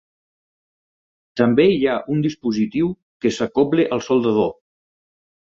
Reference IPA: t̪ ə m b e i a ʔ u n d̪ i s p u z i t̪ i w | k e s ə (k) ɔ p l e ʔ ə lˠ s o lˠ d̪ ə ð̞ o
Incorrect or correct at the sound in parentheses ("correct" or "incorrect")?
correct